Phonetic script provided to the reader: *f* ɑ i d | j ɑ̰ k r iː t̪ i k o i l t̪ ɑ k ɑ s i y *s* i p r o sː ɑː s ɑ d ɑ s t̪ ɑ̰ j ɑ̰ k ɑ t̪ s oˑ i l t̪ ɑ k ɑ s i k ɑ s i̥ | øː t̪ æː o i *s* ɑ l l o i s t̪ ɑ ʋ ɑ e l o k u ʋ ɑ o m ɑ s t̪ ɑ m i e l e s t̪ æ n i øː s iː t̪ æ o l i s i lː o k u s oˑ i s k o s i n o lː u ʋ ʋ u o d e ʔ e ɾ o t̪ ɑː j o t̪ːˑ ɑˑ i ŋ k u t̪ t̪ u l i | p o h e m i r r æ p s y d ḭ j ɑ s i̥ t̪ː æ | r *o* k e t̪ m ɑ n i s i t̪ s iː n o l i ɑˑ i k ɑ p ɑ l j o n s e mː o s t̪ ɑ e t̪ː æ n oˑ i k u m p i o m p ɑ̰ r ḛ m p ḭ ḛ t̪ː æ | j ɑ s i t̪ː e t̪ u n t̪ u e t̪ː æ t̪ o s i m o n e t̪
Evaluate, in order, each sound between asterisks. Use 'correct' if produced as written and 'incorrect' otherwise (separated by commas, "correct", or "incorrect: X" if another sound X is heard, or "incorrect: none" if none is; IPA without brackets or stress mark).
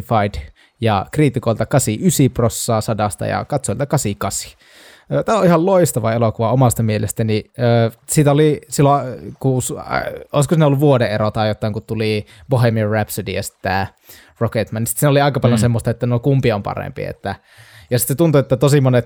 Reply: correct, correct, incorrect: h, correct